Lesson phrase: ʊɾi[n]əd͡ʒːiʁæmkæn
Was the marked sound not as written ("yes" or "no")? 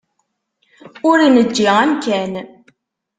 no